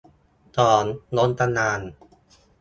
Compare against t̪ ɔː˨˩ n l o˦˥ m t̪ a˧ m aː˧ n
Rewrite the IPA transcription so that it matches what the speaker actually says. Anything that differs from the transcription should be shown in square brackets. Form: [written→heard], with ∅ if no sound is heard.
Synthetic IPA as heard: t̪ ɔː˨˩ n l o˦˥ [m→n] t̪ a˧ [m→n] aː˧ n